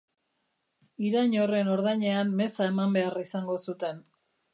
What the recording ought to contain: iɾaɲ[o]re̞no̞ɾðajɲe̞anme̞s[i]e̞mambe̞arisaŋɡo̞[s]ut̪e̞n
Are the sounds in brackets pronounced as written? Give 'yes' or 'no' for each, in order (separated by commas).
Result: yes, no, yes